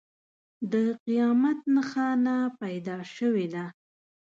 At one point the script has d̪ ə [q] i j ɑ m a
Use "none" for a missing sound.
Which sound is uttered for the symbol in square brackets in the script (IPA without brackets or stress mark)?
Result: q